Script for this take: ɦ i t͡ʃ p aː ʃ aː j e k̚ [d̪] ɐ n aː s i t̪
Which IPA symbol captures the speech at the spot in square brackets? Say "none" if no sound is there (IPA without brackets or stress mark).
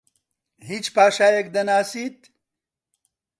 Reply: d̪